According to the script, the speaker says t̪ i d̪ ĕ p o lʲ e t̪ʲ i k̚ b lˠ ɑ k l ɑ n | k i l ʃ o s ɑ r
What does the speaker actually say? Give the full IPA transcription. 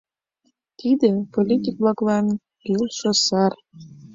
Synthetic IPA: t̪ i d̪ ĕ p o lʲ i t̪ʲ i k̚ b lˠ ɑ k l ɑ n | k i l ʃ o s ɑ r